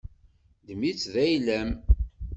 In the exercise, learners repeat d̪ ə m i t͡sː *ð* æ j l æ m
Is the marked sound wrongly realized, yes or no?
no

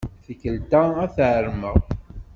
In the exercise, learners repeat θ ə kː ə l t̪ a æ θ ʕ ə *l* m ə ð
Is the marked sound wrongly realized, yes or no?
yes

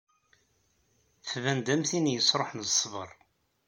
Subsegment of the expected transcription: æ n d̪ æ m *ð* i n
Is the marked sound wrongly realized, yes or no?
yes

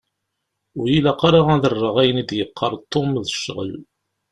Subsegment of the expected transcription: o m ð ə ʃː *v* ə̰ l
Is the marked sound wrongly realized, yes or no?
yes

